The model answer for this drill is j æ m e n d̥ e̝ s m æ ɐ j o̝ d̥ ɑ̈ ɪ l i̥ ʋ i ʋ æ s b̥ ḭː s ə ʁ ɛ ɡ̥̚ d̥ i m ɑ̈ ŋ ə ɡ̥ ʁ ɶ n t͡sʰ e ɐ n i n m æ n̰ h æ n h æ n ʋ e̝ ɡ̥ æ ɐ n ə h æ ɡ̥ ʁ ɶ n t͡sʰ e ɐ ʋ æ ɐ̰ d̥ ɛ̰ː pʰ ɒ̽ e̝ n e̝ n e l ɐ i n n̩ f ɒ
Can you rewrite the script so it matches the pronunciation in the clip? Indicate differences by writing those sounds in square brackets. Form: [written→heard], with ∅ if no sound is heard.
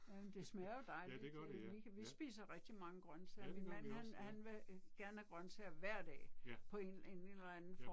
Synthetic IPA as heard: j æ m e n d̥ e̝ s m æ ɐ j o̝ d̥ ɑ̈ ɪ l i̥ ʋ i ʋ [æ→i] s b̥ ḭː s [ə→ɐ] ʁ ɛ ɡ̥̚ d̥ i m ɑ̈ ŋ ə ɡ̥ ʁ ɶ n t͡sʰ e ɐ [n→m] i n m æ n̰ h æ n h æ n ʋ e̝ ɡ̥ æ ɐ n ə h æ ɡ̥ ʁ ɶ n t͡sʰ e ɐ ʋ æ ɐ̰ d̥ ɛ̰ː pʰ ɒ̽ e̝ n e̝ n e l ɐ [i→æ] n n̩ f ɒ

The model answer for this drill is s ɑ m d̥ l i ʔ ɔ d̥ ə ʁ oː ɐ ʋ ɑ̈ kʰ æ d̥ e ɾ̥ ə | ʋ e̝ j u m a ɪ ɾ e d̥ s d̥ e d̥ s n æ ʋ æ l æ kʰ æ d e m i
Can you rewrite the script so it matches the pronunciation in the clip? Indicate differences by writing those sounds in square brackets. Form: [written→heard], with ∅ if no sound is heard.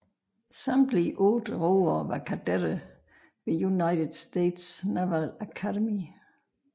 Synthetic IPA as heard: s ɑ m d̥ l i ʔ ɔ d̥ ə ʁ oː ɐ ʋ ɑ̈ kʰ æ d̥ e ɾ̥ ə | ʋ e̝ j u [m→n] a ɪ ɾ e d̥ s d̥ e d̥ s n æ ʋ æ l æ kʰ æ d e m i

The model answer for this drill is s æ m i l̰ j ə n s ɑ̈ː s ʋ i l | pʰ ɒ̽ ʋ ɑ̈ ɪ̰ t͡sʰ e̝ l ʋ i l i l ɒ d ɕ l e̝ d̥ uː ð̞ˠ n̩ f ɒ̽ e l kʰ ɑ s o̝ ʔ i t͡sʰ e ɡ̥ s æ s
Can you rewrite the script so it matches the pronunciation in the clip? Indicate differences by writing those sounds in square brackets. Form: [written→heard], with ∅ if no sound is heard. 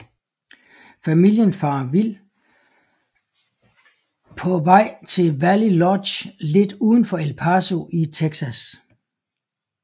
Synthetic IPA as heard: [s→f] æ m i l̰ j ə n [s→f] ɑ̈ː [s→∅] ʋ i l | pʰ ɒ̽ ʋ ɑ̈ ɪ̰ t͡sʰ e̝ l ʋ [i→æ] l i l ɒ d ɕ l e̝ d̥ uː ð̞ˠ n̩ f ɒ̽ e l [kʰ→pʰ] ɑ s o̝ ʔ i t͡sʰ e ɡ̥ s æ s

